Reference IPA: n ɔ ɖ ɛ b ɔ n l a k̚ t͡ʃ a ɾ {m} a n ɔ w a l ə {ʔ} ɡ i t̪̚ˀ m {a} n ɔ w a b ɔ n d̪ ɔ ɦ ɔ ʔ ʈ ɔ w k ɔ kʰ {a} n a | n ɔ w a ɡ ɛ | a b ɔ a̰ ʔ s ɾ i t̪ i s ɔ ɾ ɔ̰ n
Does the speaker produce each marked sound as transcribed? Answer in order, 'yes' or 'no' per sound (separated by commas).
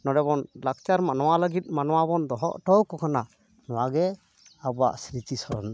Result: yes, no, yes, yes